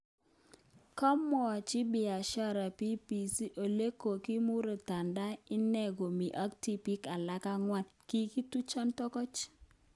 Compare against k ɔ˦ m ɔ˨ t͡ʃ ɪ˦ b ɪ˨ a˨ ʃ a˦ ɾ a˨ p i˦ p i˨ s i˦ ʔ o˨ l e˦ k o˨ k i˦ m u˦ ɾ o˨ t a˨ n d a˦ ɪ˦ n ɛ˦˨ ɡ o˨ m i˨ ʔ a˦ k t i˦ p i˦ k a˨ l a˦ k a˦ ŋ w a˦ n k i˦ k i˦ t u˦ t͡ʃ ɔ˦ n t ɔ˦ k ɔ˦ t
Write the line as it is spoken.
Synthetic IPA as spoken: k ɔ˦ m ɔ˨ t͡ʃ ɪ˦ b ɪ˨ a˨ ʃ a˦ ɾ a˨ p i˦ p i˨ s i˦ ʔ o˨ l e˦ k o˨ k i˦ m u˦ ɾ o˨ t a˨ n d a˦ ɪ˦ n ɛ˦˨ ɡ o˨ m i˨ ʔ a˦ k t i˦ p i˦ k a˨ l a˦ k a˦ ŋ w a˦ n k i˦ k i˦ t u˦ t͡ʃ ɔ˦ n t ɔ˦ k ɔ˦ t͡ʃ